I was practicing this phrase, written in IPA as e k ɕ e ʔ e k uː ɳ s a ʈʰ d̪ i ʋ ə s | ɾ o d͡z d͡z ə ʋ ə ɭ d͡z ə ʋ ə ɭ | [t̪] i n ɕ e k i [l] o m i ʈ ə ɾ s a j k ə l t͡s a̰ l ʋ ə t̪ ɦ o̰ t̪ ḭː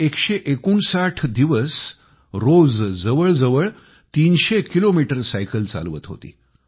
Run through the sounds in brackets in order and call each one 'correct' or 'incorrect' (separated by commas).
correct, correct